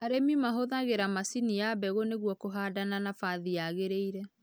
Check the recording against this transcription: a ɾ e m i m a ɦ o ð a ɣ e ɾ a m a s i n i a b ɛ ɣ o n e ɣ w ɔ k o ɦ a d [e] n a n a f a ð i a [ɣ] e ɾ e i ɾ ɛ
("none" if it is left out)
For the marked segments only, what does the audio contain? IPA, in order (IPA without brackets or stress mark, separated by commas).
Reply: a, ɣ